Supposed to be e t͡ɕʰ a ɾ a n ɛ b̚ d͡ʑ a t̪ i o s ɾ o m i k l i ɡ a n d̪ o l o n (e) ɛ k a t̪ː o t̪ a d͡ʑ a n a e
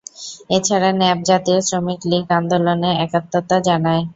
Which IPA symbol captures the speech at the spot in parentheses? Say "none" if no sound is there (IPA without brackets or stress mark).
e